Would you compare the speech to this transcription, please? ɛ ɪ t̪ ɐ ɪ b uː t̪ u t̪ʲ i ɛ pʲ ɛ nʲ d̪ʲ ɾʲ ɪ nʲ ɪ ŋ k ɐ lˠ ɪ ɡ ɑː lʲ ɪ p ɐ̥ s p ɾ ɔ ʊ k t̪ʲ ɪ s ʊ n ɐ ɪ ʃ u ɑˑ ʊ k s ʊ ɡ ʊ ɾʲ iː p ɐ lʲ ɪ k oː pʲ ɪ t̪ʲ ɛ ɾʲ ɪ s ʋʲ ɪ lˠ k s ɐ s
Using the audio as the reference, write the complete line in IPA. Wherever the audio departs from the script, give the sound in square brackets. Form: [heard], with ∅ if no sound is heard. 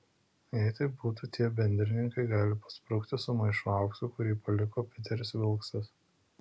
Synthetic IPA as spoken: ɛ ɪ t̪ ɐ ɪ b uː t̪ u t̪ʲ i ɛ [bʲ] ɛ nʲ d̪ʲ ɾʲ ɪ nʲ ɪ ŋ k ɐ [∅] ɪ ɡ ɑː lʲ ɪ p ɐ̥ s p ɾ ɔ ʊ k t̪ʲ ɪ s ʊ [m] ɐ ɪ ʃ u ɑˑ ʊ k s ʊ [k] ʊ ɾʲ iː p ɐ lʲ ɪ k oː pʲ ɪ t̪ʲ ɛ ɾʲ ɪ s ʋʲ ɪ lˠ k s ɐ s